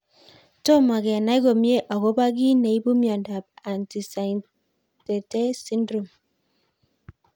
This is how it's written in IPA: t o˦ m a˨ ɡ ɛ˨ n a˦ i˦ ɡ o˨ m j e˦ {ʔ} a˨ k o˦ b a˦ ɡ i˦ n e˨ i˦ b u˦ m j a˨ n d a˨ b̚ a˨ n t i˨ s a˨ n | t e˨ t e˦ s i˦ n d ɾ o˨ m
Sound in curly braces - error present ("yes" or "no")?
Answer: no